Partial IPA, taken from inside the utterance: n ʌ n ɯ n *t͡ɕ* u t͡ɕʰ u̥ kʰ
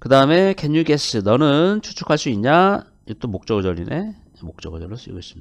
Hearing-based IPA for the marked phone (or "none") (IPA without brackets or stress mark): t͡ɕʰ